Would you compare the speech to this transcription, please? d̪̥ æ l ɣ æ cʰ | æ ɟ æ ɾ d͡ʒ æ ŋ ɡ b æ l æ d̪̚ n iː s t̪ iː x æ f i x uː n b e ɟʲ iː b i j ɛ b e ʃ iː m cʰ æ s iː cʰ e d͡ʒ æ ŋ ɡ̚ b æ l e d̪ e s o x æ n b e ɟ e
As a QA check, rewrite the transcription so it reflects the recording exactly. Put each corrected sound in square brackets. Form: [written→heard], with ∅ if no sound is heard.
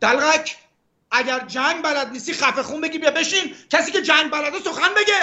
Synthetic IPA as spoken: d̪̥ æ l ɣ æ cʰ | æ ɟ æ ɾ d͡ʒ æ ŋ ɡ b æ l æ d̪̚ n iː s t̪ iː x æ f [i→e] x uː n b e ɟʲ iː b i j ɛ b e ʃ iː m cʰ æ s iː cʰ e d͡ʒ æ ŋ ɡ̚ b æ l [e→æ] d̪ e s o x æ n b e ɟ e